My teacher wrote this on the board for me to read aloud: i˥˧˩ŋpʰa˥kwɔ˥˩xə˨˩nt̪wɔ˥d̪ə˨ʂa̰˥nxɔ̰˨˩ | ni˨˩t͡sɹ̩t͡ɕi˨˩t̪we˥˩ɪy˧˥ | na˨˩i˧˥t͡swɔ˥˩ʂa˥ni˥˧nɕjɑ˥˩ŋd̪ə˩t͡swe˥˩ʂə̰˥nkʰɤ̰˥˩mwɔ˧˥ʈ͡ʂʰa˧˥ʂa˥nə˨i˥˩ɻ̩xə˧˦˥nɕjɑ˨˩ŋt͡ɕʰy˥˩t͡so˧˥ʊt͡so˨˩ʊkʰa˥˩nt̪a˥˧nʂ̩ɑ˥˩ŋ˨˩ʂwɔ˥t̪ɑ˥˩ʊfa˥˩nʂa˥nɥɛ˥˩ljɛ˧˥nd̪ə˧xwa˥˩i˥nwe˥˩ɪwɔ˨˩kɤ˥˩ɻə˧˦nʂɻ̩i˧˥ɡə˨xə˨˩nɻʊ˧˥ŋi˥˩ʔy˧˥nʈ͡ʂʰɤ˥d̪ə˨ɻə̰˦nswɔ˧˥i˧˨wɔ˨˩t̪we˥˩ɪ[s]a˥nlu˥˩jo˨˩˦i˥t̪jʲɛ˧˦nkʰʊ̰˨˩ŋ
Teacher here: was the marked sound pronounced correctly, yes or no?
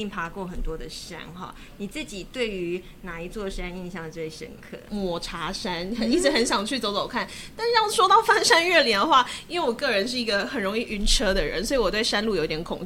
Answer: no